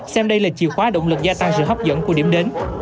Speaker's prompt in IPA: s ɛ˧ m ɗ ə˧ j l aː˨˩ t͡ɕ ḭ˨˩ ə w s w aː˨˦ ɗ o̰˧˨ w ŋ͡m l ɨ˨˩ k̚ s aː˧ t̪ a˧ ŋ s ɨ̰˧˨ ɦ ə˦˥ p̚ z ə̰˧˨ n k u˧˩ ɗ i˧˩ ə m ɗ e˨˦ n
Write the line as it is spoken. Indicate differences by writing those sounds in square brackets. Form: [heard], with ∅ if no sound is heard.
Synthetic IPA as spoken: s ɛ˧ m ɗ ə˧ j l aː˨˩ t͡ɕ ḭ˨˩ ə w [x] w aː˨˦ ɗ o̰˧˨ w ŋ͡m l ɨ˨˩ k̚ [z] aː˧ t̪ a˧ ŋ s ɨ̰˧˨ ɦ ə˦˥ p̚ z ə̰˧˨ n k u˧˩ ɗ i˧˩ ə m ɗ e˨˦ n